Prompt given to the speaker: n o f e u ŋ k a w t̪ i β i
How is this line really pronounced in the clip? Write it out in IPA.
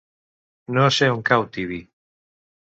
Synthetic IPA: n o s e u ŋ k a w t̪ i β i

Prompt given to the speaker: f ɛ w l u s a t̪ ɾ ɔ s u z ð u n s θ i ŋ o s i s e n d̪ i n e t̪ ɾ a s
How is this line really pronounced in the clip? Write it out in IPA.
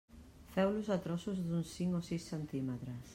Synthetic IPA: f ɛ w l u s a t̪ ɾ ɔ s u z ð u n s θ i ŋ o s i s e n t̪ i m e t̪ ɾ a s

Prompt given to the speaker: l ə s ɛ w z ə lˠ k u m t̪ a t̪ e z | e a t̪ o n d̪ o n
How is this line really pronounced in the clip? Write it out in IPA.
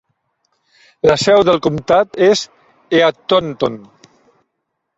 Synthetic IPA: l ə s ɛ w ð ə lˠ k u m t̪ a t̪ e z | e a t̪ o n t̪ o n

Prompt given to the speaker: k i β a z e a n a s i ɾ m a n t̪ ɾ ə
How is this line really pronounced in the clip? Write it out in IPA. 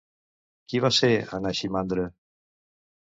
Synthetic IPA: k i β a s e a n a ʃ i m a n d̪ ɾ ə

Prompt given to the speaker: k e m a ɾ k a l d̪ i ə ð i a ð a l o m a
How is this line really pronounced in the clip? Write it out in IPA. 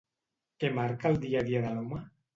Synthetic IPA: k e m a ɾ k a l d̪ i a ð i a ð a l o m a

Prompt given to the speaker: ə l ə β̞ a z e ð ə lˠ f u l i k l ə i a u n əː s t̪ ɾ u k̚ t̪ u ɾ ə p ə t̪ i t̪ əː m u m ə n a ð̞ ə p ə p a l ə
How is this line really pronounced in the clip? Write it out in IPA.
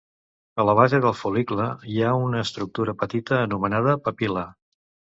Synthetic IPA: ə l ə β̞ a z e ð ə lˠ f u l i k l ə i a u n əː s t̪ ɾ u k̚ t̪ u ɾ ə p ə t̪ i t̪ əː n u m ə n a ð̞ ə p ə p i l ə

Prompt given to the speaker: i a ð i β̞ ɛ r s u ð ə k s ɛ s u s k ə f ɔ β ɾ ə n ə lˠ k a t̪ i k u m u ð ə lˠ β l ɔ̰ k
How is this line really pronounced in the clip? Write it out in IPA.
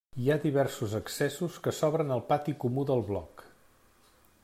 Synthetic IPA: i a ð i β̞ ɛ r s u z ə k s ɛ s u s k ə s ɔ β ɾ ə n ə lˠ p a t̪ i k u m u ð ə lˠ β l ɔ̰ k

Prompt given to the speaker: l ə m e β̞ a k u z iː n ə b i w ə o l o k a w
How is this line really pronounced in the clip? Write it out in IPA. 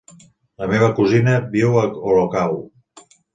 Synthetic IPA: l ə m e β̞ ə k u z i n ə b i w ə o l o k a w

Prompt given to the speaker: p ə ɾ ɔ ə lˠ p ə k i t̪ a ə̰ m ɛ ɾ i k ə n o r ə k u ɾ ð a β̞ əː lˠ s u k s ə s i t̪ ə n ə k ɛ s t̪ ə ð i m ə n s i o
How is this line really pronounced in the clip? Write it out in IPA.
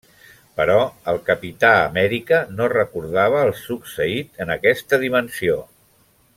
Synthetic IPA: p ə ɾ ɔ ə lˠ k ə p i t̪ a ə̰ m ɛ ɾ i k ə n o r ə k u ɾ ð a β̞ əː lˠ s u k s ə i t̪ ə n ə k ɛ s t̪ ə ð i m ə n s i o

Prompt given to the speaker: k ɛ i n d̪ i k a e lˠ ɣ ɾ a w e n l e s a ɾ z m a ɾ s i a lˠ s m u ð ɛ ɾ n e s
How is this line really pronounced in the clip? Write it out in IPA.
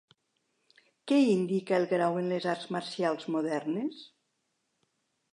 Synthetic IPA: k ɛ i n d̪ i k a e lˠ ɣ ɾ a w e n l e z a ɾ z m a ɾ s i a lˠ z m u ð ɛ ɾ n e s

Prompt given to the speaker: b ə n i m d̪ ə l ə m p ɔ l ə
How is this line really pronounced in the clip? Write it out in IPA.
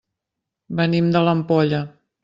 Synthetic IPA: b ə n i m d̪ ə l ə m p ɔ ʎ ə

